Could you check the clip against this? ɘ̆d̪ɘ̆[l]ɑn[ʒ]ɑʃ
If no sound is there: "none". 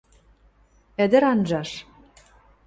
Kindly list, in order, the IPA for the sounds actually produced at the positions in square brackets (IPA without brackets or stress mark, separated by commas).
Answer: ɾ, ʒ